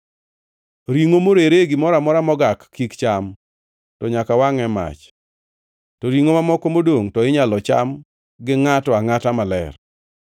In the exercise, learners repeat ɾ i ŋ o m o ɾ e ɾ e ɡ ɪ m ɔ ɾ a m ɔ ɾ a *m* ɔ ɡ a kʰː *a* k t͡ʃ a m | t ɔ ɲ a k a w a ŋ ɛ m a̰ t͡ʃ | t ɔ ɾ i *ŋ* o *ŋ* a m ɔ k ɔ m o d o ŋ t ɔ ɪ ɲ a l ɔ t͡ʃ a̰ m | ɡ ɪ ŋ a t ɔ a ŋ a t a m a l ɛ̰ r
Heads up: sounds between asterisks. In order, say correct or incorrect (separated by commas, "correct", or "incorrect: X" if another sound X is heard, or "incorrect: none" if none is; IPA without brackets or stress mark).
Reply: correct, incorrect: i, correct, incorrect: m